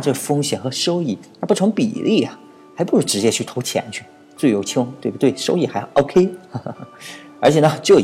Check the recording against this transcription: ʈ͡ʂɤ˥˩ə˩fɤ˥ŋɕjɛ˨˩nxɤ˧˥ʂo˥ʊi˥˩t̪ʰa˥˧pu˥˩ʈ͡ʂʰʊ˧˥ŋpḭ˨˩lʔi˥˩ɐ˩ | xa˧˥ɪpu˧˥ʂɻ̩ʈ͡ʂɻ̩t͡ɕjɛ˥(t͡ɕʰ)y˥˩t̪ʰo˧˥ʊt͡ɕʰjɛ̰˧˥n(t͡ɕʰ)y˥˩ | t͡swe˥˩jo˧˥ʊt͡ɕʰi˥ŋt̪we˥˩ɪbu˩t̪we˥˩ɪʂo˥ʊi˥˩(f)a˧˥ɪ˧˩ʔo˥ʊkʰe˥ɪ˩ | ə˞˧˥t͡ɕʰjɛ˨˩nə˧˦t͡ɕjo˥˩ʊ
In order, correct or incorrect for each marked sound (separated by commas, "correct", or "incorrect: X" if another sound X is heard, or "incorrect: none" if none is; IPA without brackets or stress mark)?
correct, correct, incorrect: x